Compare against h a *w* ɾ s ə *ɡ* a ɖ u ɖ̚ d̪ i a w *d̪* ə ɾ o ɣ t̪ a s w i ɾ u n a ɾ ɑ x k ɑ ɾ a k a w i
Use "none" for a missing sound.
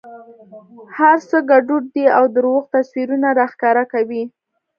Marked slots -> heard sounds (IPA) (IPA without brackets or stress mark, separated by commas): none, ɡ, d̪